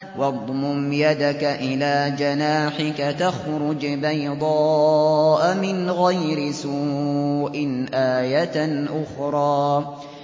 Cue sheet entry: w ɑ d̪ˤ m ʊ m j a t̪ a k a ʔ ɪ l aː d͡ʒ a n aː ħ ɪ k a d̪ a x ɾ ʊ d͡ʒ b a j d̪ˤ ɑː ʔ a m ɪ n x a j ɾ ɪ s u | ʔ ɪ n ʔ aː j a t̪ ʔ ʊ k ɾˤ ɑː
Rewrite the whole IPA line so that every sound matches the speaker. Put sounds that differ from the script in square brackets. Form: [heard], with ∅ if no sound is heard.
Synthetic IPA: w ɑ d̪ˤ m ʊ m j a [d̪] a k a ʔ ɪ l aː d͡ʒ a n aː ħ ɪ k a [t̪] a x ɾ ʊ d͡ʒ b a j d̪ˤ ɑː ʔ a m ɪ n [ɣ] a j ɾ ɪ s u | ʔ ɪ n ʔ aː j a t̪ ʔ ʊ [x] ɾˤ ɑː